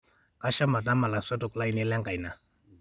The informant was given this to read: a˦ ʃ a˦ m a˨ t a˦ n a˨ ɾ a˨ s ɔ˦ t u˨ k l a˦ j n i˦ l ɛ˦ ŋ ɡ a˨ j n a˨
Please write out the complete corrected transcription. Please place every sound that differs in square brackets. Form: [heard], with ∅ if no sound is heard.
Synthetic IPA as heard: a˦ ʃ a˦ m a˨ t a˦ [m] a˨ [l] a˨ s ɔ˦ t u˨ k l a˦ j n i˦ l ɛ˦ ŋ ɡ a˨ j n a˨